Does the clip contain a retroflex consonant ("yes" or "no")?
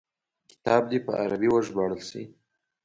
yes